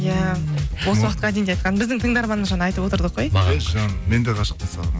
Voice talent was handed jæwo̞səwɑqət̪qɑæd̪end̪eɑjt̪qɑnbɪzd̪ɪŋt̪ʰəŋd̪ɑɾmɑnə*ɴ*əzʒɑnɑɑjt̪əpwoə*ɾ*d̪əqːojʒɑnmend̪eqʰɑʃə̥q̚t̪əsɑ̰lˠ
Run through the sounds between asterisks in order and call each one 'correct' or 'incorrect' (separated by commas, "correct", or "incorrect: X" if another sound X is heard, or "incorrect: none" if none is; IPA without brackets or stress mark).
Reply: incorrect: m, correct